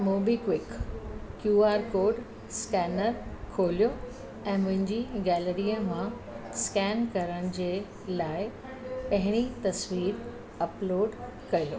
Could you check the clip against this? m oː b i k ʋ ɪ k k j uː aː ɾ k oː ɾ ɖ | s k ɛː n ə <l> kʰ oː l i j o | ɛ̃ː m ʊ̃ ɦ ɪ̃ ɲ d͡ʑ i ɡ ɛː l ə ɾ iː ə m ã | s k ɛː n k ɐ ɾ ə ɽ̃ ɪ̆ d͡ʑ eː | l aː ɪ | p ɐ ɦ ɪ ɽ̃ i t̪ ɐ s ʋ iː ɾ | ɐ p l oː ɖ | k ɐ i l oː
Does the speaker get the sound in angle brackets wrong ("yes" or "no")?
yes